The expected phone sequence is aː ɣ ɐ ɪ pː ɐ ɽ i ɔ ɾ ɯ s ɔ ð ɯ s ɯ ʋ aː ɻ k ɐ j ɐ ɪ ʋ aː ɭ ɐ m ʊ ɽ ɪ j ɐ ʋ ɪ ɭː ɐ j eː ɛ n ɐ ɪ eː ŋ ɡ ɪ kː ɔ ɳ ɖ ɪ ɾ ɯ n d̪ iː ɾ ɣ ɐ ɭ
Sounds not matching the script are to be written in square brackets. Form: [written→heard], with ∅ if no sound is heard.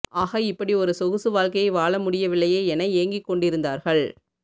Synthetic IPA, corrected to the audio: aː ɣ ɐ ɪ pː ɐ ɽ i ɔ ɾ ɯ s ɔ [ð→ɣ] ɯ s ɯ ʋ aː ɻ k ɐ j ɐ ɪ ʋ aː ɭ ɐ m ʊ ɽ ɪ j ɐ ʋ ɪ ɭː ɐ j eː ɛ n ɐ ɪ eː ŋ ɡ ɪ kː ɔ ɳ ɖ ɪ ɾ ɯ n d̪ [iː→aː] ɾ ɣ ɐ ɭ